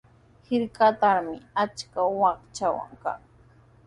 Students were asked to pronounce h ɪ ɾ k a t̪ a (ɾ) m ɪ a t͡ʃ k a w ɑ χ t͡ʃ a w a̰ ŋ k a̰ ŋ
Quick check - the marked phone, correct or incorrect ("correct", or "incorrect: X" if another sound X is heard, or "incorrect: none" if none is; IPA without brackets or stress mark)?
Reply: correct